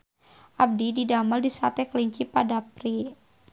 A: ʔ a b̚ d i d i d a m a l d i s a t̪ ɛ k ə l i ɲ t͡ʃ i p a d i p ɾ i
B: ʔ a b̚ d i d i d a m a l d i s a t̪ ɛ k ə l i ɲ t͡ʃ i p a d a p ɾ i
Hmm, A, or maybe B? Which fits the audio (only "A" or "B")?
B